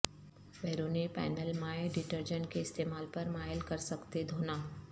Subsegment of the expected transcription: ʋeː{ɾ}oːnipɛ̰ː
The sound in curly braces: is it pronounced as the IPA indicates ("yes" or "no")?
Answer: yes